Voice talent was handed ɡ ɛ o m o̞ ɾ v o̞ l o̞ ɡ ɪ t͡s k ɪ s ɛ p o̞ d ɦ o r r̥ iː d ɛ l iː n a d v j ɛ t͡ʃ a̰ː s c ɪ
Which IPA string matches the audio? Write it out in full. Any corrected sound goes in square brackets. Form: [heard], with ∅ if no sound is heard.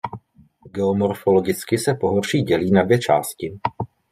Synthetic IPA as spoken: ɡ ɛ o m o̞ ɾ [f] o̞ l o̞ ɡ ɪ t͡s k ɪ s ɛ p o̞ [∅] ɦ o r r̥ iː [ɟ] ɛ l iː n a d v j ɛ t͡ʃ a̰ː s c ɪ